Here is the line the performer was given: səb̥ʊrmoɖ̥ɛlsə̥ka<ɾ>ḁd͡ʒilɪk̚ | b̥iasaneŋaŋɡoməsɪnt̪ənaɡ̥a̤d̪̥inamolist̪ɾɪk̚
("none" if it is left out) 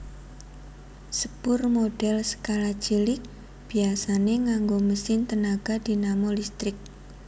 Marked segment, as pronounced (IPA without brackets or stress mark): l